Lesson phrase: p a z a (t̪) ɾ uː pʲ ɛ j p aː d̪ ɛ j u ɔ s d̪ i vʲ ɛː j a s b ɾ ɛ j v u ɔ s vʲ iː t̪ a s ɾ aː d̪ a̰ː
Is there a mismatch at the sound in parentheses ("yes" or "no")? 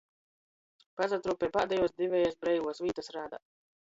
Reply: no